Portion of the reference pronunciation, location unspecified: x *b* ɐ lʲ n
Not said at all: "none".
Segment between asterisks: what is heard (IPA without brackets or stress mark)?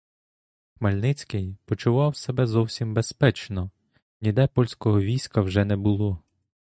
m